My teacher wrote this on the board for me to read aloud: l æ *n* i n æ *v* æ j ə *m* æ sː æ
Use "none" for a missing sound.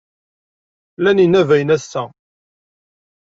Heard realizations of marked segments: n, v, n

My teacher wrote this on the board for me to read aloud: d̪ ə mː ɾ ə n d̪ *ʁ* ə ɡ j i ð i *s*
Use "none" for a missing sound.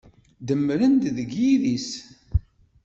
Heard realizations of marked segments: ð, s

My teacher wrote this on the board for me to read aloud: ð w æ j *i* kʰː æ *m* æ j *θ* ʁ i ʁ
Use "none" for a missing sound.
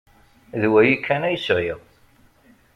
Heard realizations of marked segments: i, n, s

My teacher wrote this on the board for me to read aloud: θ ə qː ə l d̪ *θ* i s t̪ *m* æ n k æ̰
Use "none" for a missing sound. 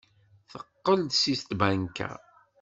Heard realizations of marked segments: s, b

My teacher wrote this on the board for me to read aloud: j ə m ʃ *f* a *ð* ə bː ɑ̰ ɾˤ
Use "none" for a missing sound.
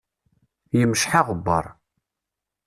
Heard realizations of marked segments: ħ, ʁ

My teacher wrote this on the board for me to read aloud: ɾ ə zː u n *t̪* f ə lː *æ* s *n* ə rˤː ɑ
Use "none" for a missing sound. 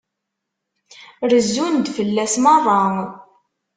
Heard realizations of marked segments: d̪, æ, m

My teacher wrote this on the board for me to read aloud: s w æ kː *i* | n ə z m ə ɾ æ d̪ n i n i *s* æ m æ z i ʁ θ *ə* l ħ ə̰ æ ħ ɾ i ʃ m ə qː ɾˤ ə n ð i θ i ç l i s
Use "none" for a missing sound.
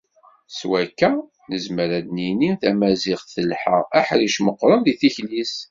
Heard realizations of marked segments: æ, θ, ə

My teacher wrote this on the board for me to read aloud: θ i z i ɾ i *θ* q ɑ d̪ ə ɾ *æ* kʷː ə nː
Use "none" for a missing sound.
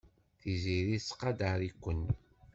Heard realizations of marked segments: s, i

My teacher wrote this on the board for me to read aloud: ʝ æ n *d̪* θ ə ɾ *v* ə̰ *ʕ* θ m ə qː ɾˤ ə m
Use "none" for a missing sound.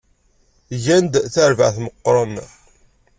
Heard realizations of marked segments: d̪, v, ʕ

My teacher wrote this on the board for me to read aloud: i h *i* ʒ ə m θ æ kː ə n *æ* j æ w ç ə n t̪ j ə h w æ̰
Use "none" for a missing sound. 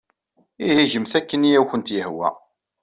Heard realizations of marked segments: i, i

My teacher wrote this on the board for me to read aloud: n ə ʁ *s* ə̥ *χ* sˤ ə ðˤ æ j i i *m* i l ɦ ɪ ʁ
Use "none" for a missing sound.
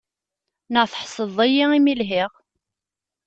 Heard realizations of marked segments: θ, ħ, m

